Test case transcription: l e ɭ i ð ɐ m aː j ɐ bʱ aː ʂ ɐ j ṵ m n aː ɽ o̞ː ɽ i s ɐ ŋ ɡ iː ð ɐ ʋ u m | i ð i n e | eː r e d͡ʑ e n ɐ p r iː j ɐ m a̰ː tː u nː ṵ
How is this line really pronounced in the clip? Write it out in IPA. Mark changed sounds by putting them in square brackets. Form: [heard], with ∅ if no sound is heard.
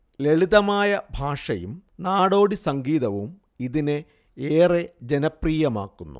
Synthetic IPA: l e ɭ i ð ɐ m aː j ɐ bʱ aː ʂ ɐ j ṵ m n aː ɽ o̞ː ɽ i s ɐ ŋ ɡ iː ð ɐ ʋ u m | i ð i n e | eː r e d͡ʑ e n ɐ p r iː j ɐ m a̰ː [kː] u nː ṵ